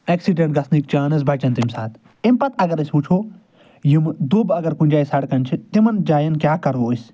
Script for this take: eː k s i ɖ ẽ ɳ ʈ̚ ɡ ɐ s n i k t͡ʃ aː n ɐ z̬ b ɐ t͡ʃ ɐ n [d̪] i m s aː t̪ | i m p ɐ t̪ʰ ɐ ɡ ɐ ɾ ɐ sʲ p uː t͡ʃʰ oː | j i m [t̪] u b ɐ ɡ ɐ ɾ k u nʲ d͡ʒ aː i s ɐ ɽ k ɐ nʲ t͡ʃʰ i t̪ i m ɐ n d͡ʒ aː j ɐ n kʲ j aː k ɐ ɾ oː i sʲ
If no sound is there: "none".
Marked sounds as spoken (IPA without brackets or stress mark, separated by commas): t̪, d̪